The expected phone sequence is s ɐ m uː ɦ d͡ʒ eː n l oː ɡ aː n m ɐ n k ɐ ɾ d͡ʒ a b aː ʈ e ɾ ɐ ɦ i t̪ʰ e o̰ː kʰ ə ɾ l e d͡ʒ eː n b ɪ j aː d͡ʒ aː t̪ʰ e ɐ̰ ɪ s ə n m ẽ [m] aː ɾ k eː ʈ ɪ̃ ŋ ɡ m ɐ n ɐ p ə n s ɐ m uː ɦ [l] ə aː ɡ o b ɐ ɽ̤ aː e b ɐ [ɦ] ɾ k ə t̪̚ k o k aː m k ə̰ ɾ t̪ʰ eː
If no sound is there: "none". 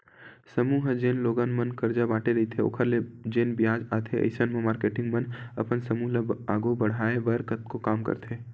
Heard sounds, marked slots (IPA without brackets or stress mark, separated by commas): m, l, none